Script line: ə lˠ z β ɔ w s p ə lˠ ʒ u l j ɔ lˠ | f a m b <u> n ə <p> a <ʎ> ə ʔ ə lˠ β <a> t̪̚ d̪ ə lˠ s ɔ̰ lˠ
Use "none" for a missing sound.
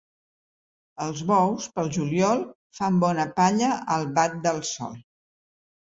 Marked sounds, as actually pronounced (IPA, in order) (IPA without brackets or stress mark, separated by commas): ɔ, p, ʎ, a